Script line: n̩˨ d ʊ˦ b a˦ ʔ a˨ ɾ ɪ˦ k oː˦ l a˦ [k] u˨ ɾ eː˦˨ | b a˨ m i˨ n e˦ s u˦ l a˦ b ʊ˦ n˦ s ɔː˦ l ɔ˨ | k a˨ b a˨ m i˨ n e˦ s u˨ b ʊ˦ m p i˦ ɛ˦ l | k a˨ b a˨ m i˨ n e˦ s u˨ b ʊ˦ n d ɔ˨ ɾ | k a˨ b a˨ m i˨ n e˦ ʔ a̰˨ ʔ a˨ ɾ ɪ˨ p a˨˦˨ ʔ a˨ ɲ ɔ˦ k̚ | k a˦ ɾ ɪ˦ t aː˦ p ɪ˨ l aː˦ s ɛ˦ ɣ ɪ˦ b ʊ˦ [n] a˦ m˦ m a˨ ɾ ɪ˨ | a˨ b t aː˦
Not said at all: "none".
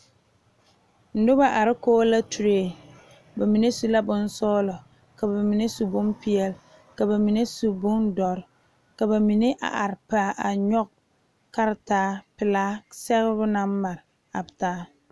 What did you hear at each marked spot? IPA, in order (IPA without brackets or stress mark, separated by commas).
t, n